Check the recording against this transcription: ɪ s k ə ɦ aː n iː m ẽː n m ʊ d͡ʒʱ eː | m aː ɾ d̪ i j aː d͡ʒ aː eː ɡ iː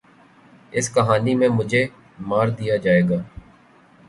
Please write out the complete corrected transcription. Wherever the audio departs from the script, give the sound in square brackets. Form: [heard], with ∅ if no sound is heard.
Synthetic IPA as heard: ɪ s k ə ɦ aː n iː m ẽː [∅] m ʊ d͡ʒʱ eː | m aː ɾ d̪ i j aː d͡ʒ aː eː ɡ [aː]

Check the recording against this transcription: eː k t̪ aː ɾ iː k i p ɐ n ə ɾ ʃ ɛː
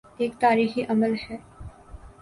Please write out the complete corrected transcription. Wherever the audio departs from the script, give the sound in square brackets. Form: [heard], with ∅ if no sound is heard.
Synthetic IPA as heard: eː k t̪ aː ɾ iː [x] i [ʔ] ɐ [m] ə [l] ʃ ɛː

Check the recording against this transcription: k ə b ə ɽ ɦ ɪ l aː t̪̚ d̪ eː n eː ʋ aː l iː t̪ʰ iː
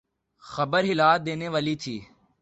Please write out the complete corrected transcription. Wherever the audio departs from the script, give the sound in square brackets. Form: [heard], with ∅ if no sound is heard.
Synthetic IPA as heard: [x] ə b ə [ɾ] ɦ ɪ l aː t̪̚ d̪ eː n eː ʋ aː l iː t̪ʰ iː

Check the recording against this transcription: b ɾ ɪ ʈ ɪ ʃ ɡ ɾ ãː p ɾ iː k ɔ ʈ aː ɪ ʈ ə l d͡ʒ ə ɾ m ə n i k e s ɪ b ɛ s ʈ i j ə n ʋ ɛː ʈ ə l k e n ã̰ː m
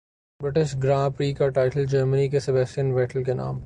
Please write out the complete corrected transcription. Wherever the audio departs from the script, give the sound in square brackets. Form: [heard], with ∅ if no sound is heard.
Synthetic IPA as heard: b ɾ ɪ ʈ ɪ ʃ ɡ ɾ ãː p ɾ iː k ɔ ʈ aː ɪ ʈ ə l d͡ʒ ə ɾ m ə n i k e s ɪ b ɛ s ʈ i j ə n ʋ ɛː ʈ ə l k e n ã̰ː m

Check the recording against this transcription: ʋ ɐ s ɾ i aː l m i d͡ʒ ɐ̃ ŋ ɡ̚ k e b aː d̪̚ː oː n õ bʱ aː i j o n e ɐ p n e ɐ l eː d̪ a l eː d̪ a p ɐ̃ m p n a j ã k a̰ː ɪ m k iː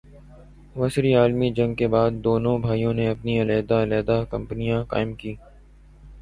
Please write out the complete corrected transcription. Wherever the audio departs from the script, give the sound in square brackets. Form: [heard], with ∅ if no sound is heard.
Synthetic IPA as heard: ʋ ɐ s ɾ i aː l m i d͡ʒ ɐ̃ ŋ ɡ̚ k e b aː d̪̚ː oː n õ bʱ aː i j [õ] n e ɐ p n [i] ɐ l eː d̪ a l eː d̪ a [k] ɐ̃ m p n [i] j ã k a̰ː ɪ m k iː

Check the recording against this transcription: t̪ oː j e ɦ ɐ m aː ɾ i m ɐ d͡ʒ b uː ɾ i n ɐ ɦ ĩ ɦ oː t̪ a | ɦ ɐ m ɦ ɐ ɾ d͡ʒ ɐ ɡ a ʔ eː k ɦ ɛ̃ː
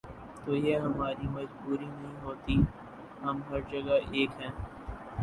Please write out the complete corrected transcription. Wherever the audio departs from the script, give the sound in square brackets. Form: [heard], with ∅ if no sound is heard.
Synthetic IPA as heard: t̪ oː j e ɦ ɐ m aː ɾ i m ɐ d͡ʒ b uː ɾ i n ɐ ɦ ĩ ɦ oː t̪ [i] | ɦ ɐ m ɦ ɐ ɾ d͡ʒ ɐ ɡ a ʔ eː k ɦ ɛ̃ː

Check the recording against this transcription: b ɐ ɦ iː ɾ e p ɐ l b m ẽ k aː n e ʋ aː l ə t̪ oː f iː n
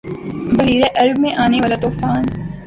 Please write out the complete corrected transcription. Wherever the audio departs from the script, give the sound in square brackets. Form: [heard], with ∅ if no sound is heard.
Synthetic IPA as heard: b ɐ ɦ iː ɾ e [ʔ] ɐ [ɾ] b m ẽ [ʔ] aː n e ʋ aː l [a] t̪ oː f [aː] n

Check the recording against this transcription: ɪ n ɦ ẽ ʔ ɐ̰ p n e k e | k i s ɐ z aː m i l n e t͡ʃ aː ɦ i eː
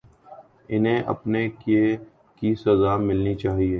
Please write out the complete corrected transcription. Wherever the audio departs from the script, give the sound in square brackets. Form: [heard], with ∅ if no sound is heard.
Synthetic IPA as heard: ɪ n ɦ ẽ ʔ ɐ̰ p n e k e | k i s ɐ z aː m [ɪ] l n [i] t͡ʃ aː ɦ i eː

